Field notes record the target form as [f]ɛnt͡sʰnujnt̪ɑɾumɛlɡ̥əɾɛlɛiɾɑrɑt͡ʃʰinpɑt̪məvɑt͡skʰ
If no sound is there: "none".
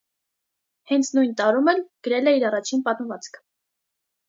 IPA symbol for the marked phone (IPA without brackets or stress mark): h